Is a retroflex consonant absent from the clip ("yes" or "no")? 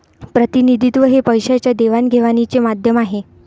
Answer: yes